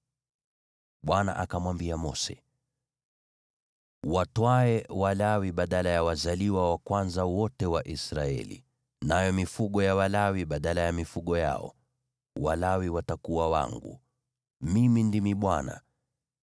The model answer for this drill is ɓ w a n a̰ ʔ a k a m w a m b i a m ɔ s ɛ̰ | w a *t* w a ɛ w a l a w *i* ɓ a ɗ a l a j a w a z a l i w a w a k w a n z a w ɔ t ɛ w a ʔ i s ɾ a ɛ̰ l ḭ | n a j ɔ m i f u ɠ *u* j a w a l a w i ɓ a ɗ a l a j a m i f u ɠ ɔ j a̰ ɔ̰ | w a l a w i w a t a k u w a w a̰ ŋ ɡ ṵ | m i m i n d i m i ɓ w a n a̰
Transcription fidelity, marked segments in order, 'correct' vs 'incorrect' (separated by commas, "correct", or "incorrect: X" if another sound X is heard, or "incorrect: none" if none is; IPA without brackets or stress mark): correct, correct, incorrect: ɔ